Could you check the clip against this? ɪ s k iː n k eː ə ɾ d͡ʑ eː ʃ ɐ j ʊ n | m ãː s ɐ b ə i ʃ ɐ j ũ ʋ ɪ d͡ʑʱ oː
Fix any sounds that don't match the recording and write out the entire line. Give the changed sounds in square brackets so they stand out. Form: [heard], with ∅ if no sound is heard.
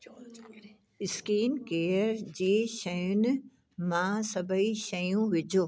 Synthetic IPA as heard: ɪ s k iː n k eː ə ɾ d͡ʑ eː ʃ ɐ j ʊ n | m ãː s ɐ b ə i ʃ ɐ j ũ ʋ ɪ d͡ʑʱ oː